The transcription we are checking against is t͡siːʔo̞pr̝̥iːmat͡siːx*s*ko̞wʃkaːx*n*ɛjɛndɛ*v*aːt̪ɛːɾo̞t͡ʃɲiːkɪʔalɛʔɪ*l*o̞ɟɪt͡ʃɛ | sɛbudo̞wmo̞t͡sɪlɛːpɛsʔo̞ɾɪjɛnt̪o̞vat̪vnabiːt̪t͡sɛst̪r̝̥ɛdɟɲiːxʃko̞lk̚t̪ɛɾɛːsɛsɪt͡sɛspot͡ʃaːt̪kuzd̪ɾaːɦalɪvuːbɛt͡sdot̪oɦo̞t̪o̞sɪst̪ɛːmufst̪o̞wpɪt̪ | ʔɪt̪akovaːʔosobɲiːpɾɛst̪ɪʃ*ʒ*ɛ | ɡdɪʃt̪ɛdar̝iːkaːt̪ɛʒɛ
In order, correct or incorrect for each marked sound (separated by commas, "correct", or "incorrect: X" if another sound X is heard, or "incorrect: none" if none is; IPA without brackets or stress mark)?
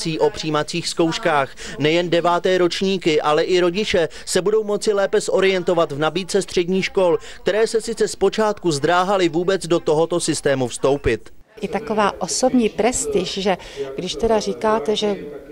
correct, correct, correct, incorrect: ɾ, correct